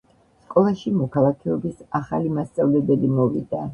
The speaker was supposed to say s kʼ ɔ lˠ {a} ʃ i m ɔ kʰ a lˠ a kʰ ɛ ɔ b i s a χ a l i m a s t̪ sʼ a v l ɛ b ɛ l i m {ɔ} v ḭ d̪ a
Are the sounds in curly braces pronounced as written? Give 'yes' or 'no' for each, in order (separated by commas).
yes, yes